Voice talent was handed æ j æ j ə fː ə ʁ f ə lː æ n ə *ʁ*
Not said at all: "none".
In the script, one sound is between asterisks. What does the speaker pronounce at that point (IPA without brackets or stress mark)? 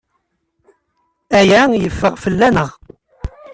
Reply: ʁ